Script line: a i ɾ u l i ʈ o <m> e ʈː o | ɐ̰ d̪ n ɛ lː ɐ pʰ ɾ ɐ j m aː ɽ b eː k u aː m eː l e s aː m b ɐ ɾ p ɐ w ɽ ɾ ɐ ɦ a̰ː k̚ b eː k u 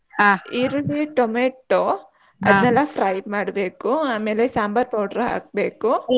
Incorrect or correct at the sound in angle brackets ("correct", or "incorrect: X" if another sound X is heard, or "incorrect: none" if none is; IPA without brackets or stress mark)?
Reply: correct